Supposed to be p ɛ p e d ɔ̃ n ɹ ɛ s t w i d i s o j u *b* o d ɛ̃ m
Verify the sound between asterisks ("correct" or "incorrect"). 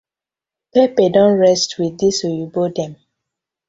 correct